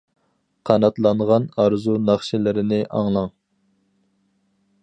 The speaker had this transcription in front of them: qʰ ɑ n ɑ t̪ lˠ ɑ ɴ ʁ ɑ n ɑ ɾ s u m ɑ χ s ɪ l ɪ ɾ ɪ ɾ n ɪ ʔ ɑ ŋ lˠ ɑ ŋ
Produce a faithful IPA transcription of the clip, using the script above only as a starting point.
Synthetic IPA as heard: qʰ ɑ n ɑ t̪ lˠ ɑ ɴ ʁ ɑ n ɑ ɾ z u n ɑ χ ʃ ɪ l ɪ ɾ ɪ n ɪ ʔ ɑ ŋ lˠ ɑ ŋ